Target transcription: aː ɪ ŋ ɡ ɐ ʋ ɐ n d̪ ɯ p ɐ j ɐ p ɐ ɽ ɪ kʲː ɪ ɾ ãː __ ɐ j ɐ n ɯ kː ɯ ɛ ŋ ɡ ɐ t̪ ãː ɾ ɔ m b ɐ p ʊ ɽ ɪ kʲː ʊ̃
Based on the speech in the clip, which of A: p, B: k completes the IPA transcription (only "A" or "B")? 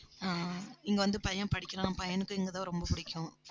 A